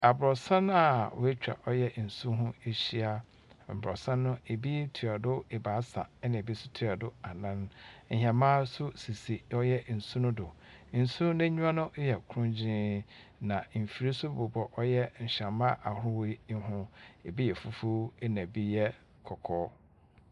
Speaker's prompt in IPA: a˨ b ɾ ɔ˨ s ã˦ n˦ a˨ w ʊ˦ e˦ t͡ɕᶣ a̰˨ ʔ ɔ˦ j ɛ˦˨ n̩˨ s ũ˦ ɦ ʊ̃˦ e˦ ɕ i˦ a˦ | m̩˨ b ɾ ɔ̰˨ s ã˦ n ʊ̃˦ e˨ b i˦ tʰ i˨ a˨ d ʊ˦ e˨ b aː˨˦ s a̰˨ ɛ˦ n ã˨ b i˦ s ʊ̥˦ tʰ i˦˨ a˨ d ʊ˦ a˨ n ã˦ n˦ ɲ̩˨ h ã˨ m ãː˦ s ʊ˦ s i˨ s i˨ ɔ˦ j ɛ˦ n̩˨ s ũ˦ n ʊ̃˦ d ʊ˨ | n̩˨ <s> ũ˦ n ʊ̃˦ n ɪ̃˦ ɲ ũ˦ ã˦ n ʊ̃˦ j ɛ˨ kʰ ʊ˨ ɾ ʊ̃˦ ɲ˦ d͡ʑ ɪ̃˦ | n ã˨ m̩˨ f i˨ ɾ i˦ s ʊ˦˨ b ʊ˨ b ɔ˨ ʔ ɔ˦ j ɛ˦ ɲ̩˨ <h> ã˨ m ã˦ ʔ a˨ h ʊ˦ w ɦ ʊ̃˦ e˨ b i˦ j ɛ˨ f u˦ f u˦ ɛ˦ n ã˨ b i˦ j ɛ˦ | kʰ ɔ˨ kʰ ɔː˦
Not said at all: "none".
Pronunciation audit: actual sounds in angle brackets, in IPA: s, ɕ

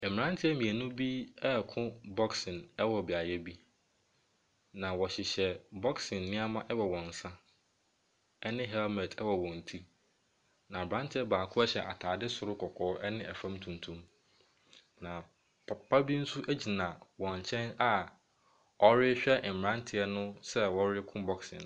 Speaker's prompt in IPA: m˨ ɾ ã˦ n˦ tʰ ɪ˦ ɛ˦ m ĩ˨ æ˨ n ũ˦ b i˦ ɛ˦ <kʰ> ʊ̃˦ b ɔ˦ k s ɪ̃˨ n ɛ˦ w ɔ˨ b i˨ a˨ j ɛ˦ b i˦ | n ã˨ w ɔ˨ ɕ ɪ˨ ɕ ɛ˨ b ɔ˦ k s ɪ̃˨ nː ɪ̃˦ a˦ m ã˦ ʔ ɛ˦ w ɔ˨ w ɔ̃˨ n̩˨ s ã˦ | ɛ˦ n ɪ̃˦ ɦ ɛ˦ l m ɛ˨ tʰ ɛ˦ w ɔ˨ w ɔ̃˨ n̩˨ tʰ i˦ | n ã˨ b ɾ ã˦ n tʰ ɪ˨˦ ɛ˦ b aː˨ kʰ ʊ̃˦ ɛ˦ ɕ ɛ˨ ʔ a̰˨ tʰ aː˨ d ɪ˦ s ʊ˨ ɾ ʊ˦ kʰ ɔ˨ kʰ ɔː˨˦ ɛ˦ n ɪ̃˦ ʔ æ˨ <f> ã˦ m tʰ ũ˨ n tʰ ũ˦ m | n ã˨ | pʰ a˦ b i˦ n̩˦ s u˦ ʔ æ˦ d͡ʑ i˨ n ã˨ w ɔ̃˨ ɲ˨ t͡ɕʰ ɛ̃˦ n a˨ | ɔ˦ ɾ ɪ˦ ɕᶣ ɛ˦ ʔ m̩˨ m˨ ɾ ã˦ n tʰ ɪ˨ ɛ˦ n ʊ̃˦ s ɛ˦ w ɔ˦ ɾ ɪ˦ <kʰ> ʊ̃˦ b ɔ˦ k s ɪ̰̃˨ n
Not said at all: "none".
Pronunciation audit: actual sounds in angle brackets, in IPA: kʰ, f, kʰ

